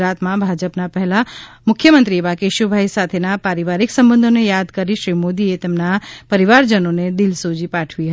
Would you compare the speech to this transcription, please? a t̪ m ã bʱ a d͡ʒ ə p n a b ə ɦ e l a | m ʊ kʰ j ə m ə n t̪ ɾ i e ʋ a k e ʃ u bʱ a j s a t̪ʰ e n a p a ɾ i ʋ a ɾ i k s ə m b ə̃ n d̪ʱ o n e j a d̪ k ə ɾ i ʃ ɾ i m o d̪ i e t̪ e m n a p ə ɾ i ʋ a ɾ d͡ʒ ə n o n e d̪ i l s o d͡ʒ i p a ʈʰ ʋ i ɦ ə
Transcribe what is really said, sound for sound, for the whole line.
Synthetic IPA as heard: a t̪ m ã bʱ a d͡ʒ ə p n a p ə ɦ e l a | m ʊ kʰ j ə m ə n t̪ ɾ i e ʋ a k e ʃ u bʱ a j s a t̪ʰ e n a p a ɾ i ʋ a ɾ i k s ə m b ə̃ n d̪ʱ o n e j a d̪ k ə ɾ i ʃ ɾ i m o d̪ i e t̪ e m n a p ə ɾ i ʋ a ɾ d͡ʒ ə n o n e d̪ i l s o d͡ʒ i p a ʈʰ ʋ i ɦ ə